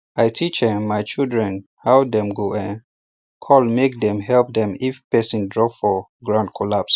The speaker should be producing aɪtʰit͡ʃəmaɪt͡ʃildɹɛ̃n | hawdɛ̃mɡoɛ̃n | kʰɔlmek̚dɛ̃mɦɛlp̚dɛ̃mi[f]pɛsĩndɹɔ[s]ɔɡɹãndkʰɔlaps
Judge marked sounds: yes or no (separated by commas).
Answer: yes, no